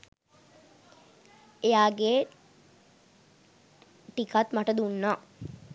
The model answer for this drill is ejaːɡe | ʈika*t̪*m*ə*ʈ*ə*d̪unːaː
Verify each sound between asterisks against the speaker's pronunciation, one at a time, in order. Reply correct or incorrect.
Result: correct, incorrect: a, correct

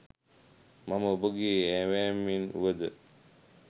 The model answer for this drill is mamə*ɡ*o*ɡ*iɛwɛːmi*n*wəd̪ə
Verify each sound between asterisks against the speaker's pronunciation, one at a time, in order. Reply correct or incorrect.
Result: incorrect: b, correct, correct

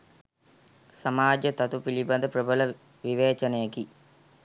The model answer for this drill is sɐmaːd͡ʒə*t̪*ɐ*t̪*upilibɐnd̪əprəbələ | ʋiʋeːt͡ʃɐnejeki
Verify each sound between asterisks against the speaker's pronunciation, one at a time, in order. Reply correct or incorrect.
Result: correct, correct

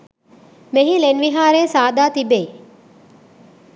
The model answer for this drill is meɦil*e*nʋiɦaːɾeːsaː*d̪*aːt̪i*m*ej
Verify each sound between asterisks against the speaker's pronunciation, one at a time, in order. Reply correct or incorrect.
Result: correct, correct, incorrect: b

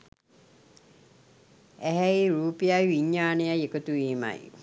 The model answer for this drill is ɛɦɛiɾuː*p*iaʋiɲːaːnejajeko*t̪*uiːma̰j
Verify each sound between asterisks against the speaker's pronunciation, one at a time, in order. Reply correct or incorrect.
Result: correct, correct

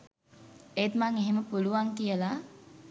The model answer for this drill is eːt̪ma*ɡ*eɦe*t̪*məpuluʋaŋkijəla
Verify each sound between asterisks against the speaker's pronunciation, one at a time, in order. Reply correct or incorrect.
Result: incorrect: ŋ, incorrect: none

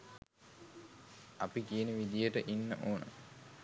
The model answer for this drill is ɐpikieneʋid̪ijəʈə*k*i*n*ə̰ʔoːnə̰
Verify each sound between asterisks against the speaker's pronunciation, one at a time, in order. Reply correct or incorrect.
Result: incorrect: ʔ, incorrect: nː

